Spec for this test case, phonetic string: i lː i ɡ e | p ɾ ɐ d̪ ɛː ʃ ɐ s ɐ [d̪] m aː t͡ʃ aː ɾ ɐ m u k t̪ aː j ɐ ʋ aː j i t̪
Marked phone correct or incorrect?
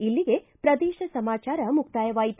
incorrect